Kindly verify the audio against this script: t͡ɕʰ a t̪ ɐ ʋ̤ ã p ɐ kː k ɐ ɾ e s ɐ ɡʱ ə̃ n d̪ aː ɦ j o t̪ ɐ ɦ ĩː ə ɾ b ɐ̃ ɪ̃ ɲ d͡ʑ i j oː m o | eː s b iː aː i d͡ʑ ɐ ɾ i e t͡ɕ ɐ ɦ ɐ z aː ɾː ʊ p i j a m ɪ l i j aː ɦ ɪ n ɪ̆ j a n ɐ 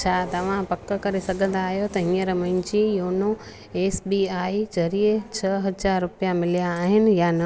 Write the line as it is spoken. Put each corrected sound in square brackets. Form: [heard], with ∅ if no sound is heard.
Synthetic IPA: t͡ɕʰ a t̪ ɐ ʋ̤ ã p ɐ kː k ɐ ɾ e s ɐ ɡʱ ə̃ n d̪ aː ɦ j o t̪ ɐ ɦ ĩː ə ɾ [m] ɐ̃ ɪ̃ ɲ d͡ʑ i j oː [n] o | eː s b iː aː i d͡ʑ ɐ ɾ i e [t͡ɕʰ] ɐ ɦ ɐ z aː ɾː ʊ p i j a m ɪ l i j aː ɦ ɪ n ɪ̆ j a n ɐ

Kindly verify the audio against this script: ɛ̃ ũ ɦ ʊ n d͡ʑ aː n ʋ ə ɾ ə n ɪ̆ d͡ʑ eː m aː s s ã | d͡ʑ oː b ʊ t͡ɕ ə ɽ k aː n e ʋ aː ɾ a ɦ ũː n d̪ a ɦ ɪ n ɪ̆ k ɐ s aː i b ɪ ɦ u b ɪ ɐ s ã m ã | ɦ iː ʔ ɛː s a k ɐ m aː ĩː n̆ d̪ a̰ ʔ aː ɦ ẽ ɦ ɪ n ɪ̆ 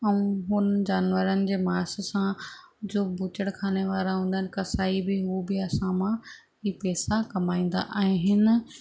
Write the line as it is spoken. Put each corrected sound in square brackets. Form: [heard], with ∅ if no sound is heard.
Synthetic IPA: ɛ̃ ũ ɦ ʊ n d͡ʑ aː n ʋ ə ɾ ə n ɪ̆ d͡ʑ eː m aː s s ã | d͡ʑ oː b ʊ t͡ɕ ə ɽ [kʰ] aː n e ʋ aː ɾ a ɦ ũː n d̪ a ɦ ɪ n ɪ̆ k ɐ s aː i b ɪ ɦ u b ɪ ɐ s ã m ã | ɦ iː [p] ɛː s a k ɐ m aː ĩː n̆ d̪ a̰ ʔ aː ɦ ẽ ɦ ɪ n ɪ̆

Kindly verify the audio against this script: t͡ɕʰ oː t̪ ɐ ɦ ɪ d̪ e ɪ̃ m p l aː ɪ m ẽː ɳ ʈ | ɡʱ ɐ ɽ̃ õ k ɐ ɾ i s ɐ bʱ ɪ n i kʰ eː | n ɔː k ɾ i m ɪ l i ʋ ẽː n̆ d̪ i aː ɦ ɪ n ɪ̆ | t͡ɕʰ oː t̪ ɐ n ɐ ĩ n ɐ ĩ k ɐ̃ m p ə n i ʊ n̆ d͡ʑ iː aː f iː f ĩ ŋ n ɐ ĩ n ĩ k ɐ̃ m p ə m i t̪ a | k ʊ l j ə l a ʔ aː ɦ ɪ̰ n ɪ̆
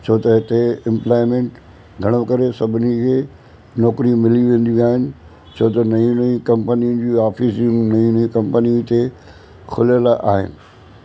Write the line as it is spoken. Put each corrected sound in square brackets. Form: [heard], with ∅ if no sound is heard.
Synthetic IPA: t͡ɕʰ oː t̪ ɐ ɦ ɪ [t̪] e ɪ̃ m p l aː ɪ m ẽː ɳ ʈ | ɡʱ ɐ ɽ̃ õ k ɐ ɾ [e] s ɐ bʱ ɪ n i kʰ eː | n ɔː k ɾ i m ɪ l i ʋ ẽː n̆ d̪ i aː ɦ ɪ n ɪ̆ | t͡ɕʰ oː t̪ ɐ n ɐ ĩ n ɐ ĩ k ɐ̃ m p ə n i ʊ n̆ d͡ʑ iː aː f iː [s] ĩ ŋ n ɐ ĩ n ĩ k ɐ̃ m p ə [n] i t̪ [e] | [kʰ] ʊ l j ə l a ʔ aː ɦ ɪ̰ n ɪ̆

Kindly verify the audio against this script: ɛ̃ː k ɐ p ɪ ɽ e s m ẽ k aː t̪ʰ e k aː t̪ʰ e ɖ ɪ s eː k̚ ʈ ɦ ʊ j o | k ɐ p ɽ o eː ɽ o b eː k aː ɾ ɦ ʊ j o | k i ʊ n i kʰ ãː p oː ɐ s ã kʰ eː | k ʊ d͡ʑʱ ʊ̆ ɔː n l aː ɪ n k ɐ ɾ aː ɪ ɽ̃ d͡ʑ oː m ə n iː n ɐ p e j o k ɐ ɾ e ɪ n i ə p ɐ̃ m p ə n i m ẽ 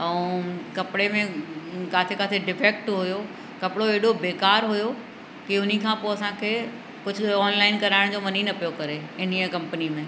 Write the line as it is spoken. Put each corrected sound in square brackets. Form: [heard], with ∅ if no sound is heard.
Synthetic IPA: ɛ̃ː k ɐ p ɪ ɽ e [∅] m ẽ k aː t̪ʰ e k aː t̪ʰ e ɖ ɪ [f] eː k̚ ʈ ɦ ʊ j o | k ɐ p ɽ o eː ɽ o b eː k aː ɾ ɦ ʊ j o | k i ʊ n i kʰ ãː p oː ɐ s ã kʰ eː | k ʊ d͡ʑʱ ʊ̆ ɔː n l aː ɪ n k ɐ ɾ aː ɪ ɽ̃ d͡ʑ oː m [ɐ] n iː n ɐ p [i] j o k ɐ ɾ e ɪ n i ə [k] ɐ̃ m p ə n i m ẽ

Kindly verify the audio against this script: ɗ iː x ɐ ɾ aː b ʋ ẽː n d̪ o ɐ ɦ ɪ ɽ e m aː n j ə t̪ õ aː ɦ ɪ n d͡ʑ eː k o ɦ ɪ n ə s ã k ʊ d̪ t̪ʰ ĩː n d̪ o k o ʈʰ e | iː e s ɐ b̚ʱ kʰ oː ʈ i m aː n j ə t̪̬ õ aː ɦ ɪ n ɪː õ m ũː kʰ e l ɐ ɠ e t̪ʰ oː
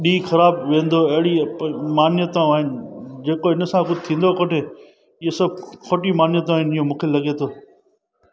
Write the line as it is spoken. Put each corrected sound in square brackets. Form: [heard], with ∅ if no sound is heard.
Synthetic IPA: ɗ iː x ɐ ɾ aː b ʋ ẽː n d̪ o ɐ ɦ ɪ ɽ [i] m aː n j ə t̪ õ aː ɦ ɪ n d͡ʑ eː k o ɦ ɪ n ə s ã k ʊ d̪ t̪ʰ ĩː n d̪ o k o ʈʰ e | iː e s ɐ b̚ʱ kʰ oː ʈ i m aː n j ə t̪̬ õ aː ɦ ɪ n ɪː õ m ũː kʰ e l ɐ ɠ e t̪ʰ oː

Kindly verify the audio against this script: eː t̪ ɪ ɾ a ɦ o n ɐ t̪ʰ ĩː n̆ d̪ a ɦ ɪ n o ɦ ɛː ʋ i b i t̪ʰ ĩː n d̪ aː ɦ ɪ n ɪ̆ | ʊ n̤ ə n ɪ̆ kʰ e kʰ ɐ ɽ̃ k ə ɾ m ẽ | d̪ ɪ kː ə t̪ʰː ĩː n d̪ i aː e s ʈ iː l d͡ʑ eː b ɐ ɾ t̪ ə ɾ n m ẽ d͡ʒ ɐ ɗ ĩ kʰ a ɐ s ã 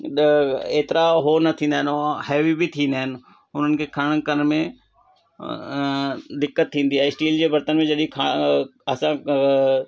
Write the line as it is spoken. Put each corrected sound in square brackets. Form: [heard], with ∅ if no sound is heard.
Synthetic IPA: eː t̪ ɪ ɾ a ɦ o n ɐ t̪ʰ ĩː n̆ d̪ a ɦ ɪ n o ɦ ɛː ʋ i b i t̪ʰ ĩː n d̪ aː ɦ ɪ n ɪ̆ | ʊ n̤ ə n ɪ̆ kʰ e kʰ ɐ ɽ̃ k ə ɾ m ẽ | d̪ ɪ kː ə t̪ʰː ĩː n d̪ i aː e s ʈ iː l d͡ʑ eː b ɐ ɾ t̪ ə [∅] n m ẽ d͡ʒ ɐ ɗ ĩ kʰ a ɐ s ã

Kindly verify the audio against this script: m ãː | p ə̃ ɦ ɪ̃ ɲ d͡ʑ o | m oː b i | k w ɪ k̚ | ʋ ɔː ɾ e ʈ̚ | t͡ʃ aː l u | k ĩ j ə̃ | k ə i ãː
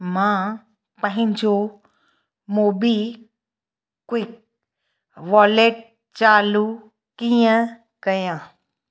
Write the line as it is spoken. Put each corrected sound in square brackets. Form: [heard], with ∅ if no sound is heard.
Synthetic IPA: m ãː | p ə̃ ɦ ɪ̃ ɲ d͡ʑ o | m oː b i | k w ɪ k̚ | ʋ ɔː [l] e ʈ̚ | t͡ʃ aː l u | k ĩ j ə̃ | k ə [j] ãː

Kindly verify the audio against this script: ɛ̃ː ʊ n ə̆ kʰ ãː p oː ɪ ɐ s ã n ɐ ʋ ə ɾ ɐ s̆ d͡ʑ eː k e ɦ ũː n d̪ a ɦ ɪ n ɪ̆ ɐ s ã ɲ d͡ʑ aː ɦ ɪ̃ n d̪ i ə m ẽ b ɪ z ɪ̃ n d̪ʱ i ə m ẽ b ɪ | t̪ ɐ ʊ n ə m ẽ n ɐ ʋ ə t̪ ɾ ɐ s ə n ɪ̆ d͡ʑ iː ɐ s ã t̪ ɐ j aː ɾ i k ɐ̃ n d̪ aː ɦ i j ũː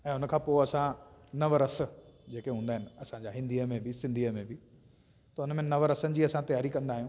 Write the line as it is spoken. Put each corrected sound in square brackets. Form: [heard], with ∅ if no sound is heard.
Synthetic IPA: ɛ̃ː ʊ n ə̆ kʰ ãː p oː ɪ ɐ s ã n ɐ ʋ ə ɾ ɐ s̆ d͡ʑ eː k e ɦ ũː n d̪ a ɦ ɪ n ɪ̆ ɐ s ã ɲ d͡ʑ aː ɦ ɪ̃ n d̪ i ə m ẽ b ɪ [s] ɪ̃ n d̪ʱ i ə m ẽ b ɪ | t̪ ɐ ʊ n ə m ẽ n ɐ ʋ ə [∅] ɾ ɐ s ə n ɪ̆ d͡ʑ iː ɐ s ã t̪ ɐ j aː ɾ i k ɐ̃ n d̪ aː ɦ i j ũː

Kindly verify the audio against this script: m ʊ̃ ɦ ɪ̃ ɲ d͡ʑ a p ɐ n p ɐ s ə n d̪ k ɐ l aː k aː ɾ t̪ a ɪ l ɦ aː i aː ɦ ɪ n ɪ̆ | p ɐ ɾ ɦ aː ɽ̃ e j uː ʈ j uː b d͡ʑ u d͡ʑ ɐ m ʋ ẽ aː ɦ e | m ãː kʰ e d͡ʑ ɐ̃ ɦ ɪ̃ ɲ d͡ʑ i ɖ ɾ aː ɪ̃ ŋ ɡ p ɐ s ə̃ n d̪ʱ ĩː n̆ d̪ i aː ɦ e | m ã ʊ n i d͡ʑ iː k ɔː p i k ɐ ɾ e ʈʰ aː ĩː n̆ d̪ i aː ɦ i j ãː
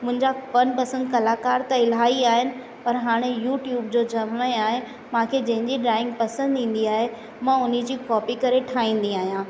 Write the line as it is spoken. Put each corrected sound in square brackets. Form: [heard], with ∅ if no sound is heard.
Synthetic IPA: m ʊ̃ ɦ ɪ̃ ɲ d͡ʑ a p ɐ n p ɐ s ə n d̪ k ɐ l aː k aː ɾ t̪ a ɪ l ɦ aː i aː ɦ ɪ n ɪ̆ | p ɐ ɾ ɦ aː ɽ̃ e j uː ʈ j uː b d͡ʑ [o] d͡ʑ ɐ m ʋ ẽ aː ɦ e | m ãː kʰ e d͡ʑ ɐ̃ ɦ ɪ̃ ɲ d͡ʑ i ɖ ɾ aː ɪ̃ ŋ ɡ p ɐ s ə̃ n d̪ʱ ĩː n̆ d̪ i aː ɦ e | m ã ʊ n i d͡ʑ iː k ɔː p i k ɐ ɾ e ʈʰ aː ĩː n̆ d̪ i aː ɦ i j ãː

